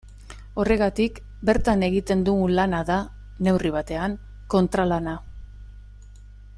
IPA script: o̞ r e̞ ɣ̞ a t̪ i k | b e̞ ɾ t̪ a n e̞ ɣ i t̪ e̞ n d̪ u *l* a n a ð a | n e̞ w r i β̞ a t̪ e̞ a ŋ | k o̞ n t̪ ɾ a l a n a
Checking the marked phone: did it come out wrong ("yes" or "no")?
no